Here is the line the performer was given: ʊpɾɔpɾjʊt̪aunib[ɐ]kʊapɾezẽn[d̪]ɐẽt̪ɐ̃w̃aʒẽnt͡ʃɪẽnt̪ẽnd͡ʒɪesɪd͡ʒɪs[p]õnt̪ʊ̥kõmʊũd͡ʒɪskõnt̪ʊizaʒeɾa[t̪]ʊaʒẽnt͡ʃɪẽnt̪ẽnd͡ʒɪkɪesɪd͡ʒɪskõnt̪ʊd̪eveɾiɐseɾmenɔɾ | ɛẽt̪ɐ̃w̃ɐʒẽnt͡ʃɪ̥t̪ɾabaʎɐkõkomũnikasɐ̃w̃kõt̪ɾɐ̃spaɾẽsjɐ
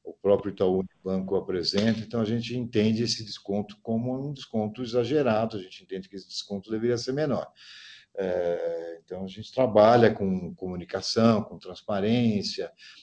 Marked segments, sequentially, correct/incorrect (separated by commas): incorrect, incorrect, incorrect, incorrect